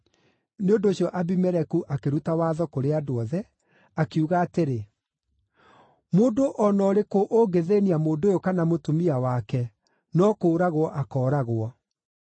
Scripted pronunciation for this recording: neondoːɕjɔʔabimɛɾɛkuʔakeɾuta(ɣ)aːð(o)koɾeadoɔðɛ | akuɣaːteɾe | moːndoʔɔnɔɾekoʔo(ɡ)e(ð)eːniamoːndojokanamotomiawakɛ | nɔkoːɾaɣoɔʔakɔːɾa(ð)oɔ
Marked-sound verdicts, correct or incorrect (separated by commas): incorrect, incorrect, correct, correct, incorrect